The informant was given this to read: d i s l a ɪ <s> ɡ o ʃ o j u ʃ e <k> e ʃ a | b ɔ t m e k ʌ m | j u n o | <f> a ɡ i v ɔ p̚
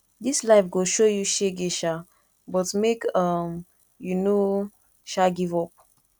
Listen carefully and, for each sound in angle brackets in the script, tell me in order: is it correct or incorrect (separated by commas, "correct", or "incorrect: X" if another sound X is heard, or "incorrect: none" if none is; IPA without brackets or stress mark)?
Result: incorrect: f, incorrect: ɡ, incorrect: ʃ